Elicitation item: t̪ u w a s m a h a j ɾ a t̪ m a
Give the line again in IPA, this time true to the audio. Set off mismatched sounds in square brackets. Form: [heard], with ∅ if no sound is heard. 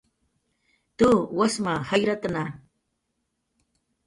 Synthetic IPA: t̪ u w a s m a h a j ɾ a t̪ [n] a

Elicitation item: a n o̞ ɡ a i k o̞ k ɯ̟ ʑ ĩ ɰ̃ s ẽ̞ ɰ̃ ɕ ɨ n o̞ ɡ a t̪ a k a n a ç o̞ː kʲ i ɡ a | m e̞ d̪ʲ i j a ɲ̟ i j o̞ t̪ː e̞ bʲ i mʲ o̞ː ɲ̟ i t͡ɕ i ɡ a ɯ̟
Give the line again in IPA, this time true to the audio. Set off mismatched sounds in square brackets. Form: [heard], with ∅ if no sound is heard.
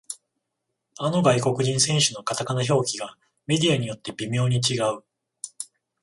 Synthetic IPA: a n o̞ ɡ a i k o̞ k ɯ̟ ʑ ĩ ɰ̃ s ẽ̞ ɰ̃ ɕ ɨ n o̞ [k] a t̪ a k a n a ç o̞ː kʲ i ɡ a | m e̞ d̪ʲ i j a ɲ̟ i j o̞ t̪ː e̞ bʲ i mʲ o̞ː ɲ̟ i t͡ɕ i ɡ a ɯ̟

